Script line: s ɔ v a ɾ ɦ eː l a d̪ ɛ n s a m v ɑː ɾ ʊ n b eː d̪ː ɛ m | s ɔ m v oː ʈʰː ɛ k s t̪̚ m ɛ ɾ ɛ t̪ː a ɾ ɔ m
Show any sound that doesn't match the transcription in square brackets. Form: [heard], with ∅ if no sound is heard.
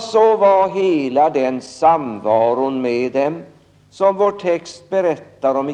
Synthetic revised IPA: s ɔ v a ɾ ɦ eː l a d̪ ɛ n s a m v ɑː ɾ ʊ n [m] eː [d̪] ɛ m | s ɔ m v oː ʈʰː ɛ k s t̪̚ [b] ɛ ɾ ɛ t̪ː a ɾ ɔ m